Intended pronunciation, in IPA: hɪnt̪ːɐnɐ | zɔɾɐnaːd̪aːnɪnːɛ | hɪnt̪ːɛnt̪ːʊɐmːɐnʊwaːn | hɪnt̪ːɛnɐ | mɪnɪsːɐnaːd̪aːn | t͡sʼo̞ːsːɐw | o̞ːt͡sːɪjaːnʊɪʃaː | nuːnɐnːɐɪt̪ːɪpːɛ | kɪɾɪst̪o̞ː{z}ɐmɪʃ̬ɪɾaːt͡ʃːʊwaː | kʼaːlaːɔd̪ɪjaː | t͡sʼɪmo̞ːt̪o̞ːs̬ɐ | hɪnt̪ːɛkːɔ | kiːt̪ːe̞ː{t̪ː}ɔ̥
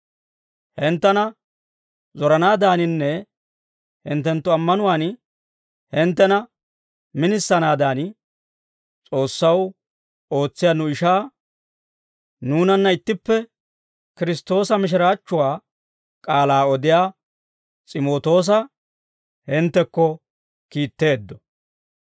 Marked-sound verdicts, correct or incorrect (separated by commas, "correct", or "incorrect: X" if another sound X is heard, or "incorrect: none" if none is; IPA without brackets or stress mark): incorrect: s, incorrect: d̪ː